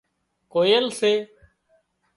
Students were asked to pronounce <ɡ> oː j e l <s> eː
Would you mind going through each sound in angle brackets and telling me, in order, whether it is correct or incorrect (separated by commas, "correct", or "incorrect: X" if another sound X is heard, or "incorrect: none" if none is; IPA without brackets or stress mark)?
incorrect: k, correct